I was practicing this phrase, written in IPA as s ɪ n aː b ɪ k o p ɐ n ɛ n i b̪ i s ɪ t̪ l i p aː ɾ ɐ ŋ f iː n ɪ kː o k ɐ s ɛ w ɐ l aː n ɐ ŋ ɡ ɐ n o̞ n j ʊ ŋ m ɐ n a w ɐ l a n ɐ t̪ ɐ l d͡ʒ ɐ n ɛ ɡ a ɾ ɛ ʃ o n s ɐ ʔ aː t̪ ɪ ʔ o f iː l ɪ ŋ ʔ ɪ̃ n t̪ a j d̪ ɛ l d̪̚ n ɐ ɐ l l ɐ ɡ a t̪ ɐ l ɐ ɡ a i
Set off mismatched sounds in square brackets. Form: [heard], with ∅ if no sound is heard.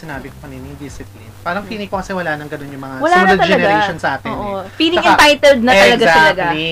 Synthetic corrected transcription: s ɪ n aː b ɪ k o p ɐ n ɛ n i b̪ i s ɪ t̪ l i p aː ɾ ɐ ŋ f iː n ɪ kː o k ɐ s ɛ w ɐ l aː n ɐ ŋ ɡ ɐ n o̞ n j ʊ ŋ m ɐ [ŋ] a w ɐ l a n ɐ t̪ ɐ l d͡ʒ ɐ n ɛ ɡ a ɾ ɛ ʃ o n s ɐ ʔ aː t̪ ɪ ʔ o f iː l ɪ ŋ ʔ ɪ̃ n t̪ a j [t̪] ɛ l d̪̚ n ɐ ɐ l l ɐ ɡ a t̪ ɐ l ɐ ɡ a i